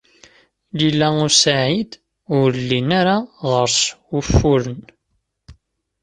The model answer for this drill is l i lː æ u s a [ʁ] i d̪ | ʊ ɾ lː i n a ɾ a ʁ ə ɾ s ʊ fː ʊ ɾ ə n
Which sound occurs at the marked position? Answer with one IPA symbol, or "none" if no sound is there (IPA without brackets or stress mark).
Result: ʕ